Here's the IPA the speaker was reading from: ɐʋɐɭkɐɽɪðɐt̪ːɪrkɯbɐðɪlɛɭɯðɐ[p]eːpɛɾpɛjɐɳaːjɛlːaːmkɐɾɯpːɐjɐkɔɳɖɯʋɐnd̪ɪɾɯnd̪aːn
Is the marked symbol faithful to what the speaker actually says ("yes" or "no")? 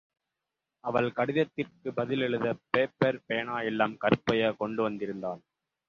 yes